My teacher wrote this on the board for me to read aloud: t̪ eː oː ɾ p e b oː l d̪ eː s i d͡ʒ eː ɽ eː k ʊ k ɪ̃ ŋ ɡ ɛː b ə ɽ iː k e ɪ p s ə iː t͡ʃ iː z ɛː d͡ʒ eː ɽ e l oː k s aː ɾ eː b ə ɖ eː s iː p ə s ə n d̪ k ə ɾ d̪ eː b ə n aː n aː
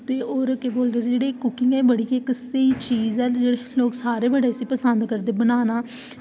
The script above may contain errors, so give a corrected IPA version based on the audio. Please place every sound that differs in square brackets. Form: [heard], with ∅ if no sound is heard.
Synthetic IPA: t̪ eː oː ɾ [k] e b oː l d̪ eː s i d͡ʒ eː ɽ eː k ʊ k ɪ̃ ŋ ɡ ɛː b ə ɽ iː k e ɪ [k] s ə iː t͡ʃ iː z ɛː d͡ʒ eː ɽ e l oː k s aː ɾ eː b ə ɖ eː s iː p ə s ə n d̪ k ə ɾ d̪ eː b ə n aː n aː